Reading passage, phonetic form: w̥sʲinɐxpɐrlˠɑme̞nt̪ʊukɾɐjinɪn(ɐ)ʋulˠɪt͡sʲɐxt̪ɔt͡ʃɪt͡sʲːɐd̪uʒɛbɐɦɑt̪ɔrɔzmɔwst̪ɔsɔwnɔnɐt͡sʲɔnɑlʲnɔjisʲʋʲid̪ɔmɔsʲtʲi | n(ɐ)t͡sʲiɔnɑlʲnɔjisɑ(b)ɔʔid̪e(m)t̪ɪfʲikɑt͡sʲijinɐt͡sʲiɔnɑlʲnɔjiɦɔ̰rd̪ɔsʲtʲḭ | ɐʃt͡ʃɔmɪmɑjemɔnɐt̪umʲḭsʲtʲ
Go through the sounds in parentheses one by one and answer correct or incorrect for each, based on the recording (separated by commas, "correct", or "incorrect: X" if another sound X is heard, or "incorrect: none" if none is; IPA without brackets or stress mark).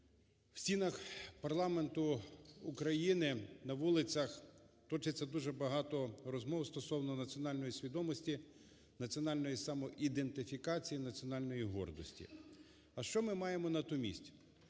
correct, correct, incorrect: m, incorrect: n